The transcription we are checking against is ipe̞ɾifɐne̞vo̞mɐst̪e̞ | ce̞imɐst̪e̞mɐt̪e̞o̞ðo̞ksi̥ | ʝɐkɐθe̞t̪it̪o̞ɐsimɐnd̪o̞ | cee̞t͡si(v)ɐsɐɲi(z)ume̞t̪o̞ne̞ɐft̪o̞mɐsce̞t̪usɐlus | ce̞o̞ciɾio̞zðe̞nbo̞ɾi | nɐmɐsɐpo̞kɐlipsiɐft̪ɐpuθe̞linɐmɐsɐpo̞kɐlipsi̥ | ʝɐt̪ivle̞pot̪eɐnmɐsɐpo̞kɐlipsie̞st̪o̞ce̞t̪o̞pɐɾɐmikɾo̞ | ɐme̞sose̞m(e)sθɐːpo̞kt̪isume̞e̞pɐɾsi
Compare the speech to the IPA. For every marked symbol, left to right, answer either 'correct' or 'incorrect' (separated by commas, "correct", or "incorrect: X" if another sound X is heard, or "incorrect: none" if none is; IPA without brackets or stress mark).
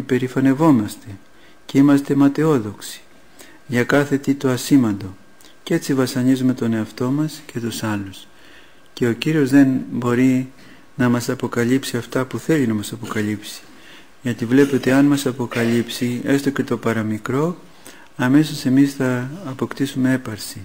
correct, correct, incorrect: i